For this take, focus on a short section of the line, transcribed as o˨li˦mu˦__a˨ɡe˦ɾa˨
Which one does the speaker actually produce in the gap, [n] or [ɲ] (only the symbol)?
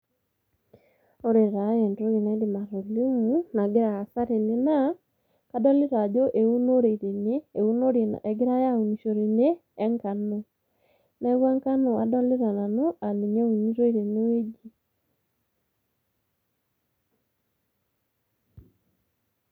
n